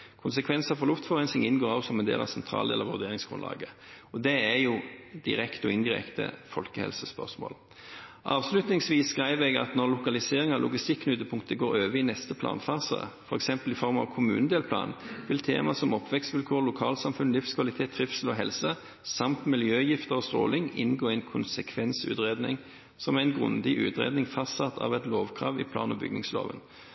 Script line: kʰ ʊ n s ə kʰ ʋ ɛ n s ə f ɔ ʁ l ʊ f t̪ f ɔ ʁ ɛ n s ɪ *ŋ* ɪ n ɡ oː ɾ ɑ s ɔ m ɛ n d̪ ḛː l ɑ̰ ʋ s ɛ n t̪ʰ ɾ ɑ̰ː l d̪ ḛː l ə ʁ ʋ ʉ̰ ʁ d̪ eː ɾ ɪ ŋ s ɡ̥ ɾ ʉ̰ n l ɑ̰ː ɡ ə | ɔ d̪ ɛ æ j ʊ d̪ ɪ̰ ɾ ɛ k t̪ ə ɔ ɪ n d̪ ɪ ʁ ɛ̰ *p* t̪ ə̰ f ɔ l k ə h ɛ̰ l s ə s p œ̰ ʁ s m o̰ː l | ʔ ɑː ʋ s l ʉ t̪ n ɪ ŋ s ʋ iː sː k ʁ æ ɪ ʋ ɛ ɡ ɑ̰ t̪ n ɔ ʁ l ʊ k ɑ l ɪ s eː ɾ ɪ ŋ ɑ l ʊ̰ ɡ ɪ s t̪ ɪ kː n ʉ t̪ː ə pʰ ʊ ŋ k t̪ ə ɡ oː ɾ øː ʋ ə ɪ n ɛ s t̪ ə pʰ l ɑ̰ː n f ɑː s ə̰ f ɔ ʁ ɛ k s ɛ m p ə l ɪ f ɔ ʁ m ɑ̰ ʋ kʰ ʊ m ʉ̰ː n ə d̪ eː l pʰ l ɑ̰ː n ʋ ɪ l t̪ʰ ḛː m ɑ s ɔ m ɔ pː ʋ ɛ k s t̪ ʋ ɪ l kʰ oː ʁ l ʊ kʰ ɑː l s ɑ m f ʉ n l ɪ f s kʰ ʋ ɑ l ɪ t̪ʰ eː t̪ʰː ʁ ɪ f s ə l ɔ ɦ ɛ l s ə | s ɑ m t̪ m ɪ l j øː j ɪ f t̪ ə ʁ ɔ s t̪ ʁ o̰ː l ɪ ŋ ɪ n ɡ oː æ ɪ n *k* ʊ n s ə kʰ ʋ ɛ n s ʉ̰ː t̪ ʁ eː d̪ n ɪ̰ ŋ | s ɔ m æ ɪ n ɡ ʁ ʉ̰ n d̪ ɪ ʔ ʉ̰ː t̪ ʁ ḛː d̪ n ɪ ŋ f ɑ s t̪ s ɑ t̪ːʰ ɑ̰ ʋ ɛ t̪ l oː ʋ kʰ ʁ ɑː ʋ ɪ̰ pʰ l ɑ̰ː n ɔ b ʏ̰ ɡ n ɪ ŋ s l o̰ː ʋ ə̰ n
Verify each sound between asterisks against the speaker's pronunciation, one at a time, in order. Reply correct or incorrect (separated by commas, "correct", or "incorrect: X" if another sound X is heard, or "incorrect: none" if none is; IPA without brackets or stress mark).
correct, incorrect: k, incorrect: kʰ